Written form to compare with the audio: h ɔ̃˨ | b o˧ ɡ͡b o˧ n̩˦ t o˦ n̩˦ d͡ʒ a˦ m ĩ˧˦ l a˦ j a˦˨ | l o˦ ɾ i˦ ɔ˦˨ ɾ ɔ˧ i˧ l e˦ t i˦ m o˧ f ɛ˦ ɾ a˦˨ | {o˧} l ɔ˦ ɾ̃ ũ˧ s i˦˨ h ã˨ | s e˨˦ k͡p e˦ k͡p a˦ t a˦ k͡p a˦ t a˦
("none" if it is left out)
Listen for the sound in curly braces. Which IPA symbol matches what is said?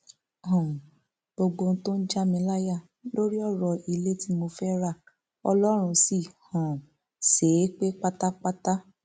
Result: ɔ˧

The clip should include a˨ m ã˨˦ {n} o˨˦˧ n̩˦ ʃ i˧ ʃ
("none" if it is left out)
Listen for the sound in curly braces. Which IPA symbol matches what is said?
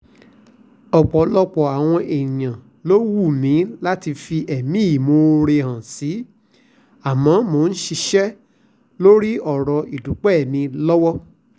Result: m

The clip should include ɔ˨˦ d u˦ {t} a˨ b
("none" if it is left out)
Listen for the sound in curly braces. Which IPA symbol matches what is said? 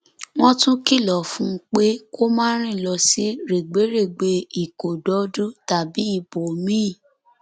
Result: t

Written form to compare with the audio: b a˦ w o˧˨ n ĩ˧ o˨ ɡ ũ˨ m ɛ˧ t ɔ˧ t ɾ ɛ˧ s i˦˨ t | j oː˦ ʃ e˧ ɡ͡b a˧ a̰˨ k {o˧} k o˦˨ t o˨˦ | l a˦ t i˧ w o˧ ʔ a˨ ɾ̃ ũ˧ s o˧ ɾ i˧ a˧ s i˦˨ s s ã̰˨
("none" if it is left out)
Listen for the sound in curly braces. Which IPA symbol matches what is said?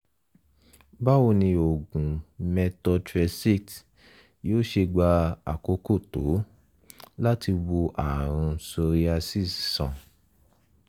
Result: o˧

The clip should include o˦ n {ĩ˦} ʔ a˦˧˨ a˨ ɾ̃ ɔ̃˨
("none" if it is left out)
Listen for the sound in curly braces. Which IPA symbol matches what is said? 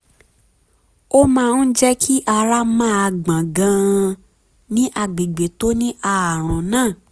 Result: ĩ˦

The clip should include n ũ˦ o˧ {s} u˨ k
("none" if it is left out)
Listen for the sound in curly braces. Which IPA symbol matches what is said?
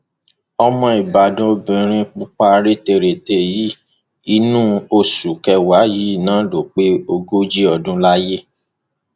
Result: s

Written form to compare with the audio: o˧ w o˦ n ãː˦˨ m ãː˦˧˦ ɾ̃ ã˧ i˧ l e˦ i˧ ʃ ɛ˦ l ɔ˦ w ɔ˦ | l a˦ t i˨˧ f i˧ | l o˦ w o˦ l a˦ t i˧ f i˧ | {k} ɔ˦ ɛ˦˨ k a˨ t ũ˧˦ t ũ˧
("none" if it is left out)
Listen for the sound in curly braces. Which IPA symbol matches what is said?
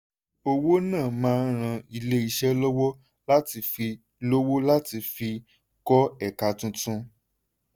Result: k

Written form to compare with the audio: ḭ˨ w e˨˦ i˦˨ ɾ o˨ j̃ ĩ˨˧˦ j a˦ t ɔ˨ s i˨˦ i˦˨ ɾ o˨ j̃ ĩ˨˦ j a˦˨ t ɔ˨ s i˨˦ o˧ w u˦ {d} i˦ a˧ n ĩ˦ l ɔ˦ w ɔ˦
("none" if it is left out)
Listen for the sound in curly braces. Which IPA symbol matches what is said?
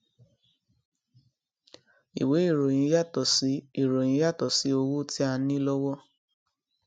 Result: t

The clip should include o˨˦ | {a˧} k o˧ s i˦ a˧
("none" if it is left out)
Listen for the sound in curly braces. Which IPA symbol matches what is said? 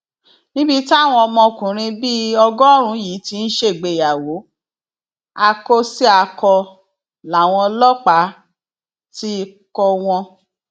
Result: a˧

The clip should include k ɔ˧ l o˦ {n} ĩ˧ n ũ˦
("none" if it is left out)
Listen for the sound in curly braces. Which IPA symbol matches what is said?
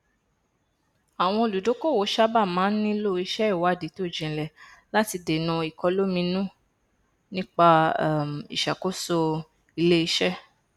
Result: m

